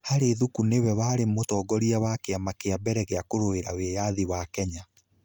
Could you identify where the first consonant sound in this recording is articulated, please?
glottal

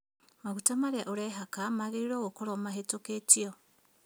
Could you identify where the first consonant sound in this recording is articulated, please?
labial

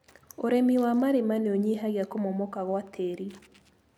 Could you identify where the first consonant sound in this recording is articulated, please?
alveolar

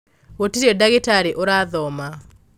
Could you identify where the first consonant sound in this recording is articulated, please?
alveolar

